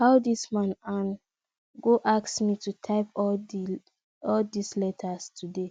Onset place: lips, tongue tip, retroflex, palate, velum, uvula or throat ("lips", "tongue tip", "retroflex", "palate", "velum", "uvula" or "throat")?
throat